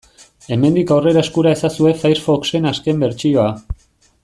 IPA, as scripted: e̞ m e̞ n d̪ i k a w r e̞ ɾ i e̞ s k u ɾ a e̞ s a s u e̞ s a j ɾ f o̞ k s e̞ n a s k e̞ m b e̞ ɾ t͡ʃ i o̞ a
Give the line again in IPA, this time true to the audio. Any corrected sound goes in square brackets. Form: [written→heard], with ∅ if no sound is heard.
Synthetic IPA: e̞ m e̞ n d̪ i k a w r e̞ ɾ [i→a] e̞ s k u ɾ a e̞ s a s u e̞ [s→f] a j ɾ f o̞ k s e̞ n a s k e̞ m b e̞ ɾ t͡ʃ i o̞ a